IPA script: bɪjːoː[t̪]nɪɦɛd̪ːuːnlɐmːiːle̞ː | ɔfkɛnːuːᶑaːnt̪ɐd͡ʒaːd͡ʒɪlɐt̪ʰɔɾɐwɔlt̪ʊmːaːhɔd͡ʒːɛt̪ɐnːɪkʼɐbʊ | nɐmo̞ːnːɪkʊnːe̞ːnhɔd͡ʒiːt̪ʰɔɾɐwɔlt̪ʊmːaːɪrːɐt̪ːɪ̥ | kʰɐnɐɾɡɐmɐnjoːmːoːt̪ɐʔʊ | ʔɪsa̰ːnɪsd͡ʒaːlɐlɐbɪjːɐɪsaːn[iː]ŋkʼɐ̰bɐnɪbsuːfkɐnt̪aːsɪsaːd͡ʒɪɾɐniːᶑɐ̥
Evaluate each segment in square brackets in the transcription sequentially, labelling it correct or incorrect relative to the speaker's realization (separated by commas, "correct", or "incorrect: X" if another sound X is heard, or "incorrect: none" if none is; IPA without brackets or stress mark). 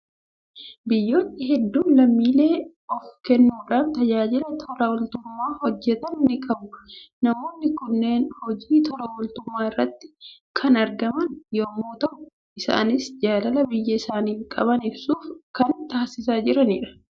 correct, correct